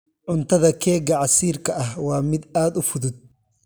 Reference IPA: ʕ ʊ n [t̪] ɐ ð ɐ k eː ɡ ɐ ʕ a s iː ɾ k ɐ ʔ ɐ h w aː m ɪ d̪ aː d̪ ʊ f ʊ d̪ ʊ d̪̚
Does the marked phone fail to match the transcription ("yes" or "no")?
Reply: no